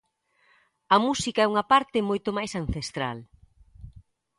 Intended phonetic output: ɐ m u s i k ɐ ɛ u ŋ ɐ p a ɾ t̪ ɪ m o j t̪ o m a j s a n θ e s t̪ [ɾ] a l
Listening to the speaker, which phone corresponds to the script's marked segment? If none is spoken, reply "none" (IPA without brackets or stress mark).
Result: ɾ